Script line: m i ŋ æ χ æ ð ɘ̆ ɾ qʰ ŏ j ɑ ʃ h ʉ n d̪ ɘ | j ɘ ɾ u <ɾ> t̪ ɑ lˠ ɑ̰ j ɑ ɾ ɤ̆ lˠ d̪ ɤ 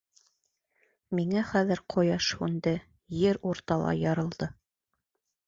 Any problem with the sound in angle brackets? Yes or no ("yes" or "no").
no